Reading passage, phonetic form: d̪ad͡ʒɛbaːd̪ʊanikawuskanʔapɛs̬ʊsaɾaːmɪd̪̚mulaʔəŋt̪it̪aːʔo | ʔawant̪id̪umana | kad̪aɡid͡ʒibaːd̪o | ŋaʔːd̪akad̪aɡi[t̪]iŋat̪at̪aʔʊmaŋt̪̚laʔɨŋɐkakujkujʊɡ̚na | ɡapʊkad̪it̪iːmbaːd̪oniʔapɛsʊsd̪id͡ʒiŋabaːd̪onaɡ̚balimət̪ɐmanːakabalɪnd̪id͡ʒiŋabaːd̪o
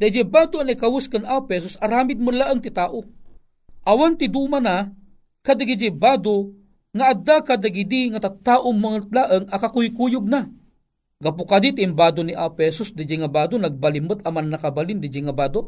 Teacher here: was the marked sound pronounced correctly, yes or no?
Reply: no